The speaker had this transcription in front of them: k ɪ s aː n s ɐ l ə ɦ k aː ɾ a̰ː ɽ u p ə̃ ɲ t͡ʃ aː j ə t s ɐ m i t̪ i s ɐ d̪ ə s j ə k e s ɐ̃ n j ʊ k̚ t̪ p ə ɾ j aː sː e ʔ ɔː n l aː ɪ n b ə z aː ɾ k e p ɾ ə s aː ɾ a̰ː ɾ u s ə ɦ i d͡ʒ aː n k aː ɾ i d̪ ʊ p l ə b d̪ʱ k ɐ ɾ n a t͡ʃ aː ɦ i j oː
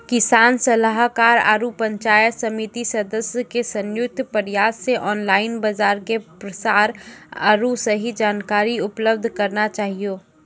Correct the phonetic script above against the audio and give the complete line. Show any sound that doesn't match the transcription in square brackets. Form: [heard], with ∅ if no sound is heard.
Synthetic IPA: k ɪ s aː n s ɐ l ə ɦ k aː ɾ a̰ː [ɾ] u p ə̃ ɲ t͡ʃ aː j ə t s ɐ m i t̪ i s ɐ d̪ ə s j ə k e s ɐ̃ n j ʊ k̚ t̪ p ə ɾ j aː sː e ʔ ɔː n l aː ɪ n b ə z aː ɾ k e p ɾ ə s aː ɾ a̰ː ɾ u s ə ɦ i d͡ʒ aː n k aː ɾ i [∅] ʊ p l ə b d̪ʱ k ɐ ɾ n a t͡ʃ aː ɦ i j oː